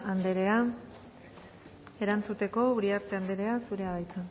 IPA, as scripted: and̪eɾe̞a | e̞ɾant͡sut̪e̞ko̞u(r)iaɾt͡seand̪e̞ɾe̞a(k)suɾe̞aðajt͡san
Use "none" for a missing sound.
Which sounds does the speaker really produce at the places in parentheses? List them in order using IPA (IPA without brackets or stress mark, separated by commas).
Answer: ɾ, none